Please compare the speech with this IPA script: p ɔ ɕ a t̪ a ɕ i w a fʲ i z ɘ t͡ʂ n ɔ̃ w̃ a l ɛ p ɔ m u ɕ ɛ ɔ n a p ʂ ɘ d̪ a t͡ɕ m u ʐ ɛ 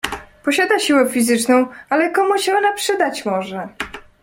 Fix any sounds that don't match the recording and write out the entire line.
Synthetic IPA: p ɔ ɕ a d̪ a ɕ i w ɛ fʲ i z ɘ t͡ʂ n ɔ̃ w̃ a l ɛ k ɔ m u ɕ ɛ ɔ n a p ʂ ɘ d̪ a t͡ɕ m ɔ ʐ ɛ